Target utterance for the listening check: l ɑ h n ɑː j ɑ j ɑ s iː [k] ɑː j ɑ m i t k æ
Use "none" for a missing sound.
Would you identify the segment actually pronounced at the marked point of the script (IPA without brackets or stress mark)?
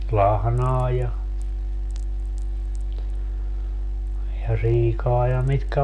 k